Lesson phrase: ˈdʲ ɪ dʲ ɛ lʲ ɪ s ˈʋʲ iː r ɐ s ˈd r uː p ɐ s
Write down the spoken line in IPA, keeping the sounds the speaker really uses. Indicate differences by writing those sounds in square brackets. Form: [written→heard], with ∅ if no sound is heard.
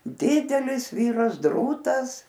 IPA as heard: ˈdʲ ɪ dʲ ɛ lʲ ɪ s ˈʋʲ iː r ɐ s ˈd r uː [p→t] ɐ s